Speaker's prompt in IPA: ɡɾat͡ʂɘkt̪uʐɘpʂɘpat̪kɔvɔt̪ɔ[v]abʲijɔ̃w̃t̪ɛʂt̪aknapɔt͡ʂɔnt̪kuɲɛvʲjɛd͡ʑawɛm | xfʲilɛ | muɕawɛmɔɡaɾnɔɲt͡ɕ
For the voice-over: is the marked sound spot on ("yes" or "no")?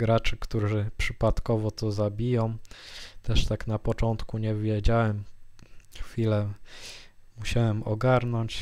no